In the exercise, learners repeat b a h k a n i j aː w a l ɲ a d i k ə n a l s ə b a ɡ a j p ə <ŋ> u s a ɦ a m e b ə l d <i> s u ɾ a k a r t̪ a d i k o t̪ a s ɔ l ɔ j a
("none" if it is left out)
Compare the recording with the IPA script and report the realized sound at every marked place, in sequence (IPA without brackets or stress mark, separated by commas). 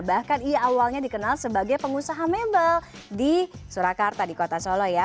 ŋ, i